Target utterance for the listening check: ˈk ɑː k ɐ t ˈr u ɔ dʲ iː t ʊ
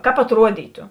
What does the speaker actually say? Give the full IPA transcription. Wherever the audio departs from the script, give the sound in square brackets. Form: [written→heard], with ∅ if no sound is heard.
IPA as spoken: ˈk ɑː [k→p] ɐ t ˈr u ɔ dʲ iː t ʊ